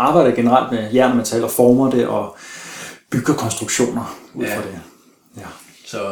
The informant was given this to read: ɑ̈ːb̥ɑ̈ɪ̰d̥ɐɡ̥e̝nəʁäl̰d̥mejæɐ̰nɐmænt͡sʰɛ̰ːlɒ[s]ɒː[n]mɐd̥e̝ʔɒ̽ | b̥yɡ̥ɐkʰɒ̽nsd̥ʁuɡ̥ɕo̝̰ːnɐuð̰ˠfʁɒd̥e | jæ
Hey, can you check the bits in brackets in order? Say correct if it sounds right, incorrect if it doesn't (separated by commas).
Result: incorrect, incorrect